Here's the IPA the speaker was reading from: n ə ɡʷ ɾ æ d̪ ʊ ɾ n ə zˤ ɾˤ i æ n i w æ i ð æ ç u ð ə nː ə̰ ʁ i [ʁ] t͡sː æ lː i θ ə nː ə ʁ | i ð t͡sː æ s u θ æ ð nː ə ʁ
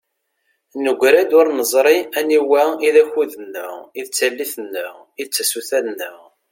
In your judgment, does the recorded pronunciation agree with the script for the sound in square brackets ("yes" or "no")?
no